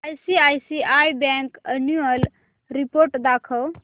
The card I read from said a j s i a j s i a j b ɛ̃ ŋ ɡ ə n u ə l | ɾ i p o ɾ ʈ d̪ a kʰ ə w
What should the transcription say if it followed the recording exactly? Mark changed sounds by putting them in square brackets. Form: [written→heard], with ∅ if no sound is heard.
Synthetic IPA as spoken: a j s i a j s i a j b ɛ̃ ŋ [ɡ→k] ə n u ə l | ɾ i p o ɾ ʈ d̪ a kʰ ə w